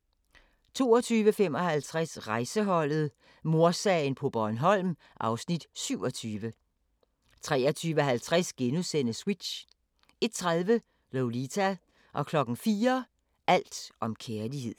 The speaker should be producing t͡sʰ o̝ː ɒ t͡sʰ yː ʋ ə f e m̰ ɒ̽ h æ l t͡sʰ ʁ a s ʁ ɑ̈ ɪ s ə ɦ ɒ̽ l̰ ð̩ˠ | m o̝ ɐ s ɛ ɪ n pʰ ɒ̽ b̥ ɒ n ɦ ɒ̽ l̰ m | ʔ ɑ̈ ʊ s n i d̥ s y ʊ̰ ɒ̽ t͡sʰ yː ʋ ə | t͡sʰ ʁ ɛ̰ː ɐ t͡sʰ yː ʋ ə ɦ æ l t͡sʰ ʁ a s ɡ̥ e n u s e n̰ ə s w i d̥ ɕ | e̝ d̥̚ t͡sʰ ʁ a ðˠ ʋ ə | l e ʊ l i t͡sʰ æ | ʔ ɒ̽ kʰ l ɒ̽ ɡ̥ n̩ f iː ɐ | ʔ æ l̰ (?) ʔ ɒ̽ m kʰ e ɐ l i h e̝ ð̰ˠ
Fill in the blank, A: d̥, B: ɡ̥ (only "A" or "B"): A